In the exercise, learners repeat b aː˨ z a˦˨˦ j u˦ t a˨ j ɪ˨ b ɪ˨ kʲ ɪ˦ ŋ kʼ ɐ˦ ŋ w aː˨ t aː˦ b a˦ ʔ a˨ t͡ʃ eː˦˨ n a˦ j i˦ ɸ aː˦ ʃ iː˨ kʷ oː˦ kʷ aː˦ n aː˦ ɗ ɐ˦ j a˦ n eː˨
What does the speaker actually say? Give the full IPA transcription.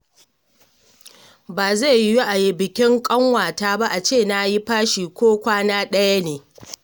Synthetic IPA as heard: b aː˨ z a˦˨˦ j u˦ ʔ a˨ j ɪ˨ b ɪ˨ kʲ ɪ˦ ŋ kʼ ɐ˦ ŋ w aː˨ t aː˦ b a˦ ʔ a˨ t͡ʃ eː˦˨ n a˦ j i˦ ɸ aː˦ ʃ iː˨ kʷ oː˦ kʷ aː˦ n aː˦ ɗ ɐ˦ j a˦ n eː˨